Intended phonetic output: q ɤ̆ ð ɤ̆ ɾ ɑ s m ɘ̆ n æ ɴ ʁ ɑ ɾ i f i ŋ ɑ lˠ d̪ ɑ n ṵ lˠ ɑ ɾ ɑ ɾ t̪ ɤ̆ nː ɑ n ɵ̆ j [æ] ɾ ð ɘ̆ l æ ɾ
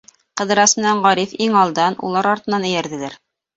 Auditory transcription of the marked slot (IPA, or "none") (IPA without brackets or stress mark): æ